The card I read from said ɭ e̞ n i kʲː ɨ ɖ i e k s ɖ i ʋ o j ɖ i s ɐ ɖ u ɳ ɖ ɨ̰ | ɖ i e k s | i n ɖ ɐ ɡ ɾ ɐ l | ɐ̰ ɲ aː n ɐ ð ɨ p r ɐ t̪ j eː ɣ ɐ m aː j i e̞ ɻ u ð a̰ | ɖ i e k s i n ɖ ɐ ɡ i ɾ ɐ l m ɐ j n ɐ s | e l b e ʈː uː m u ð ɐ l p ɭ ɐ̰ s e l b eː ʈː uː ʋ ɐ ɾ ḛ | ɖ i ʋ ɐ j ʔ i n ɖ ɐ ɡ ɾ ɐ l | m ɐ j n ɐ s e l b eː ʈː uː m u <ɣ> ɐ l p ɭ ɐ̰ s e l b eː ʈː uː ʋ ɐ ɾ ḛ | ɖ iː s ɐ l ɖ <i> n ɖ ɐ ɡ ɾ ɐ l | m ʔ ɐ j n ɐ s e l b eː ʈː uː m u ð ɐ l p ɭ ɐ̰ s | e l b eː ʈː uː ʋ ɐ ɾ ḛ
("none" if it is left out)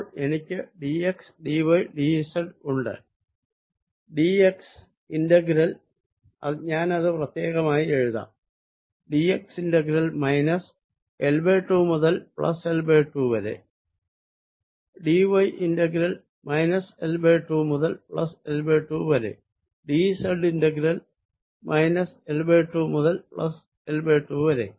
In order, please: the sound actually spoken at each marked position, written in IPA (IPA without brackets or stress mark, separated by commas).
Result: ð, i